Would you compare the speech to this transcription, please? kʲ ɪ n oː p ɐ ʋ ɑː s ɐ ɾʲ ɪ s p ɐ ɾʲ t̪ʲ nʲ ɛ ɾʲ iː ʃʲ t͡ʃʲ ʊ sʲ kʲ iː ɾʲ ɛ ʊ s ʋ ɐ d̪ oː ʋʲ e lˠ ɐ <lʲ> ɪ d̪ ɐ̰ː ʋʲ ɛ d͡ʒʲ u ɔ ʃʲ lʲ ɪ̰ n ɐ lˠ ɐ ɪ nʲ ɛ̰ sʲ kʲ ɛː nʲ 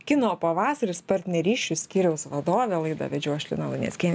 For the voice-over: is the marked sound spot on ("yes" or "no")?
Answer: no